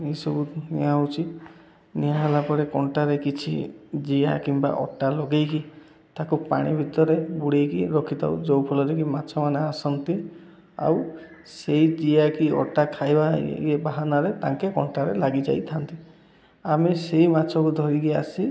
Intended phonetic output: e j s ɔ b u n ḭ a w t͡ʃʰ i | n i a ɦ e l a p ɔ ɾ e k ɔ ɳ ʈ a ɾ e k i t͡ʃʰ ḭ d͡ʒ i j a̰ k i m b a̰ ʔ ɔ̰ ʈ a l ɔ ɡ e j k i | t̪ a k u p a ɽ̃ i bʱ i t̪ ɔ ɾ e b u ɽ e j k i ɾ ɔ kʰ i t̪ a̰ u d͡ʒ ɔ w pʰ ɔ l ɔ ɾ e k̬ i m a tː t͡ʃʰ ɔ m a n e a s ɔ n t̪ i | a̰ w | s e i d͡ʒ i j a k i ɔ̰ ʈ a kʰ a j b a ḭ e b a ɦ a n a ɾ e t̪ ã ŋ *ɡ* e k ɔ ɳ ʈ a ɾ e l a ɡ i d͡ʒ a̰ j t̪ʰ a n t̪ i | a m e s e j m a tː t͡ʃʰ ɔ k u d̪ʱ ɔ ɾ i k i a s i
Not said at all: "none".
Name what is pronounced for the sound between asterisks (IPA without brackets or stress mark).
k